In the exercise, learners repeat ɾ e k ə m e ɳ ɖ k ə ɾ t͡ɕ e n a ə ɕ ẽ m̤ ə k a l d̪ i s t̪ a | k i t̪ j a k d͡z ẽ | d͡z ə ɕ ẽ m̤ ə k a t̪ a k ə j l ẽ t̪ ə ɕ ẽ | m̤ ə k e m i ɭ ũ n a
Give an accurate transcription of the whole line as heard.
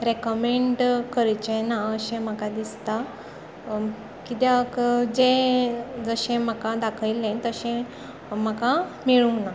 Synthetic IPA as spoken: ɾ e k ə m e ɳ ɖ k ə ɾ t͡ɕ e n a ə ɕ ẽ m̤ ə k a d̪ i s t̪ a | k i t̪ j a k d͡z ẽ | d͡z ə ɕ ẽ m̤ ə k a d̪ a kʰ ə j l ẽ t̪ ə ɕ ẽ | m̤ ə k a m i ɭ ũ n a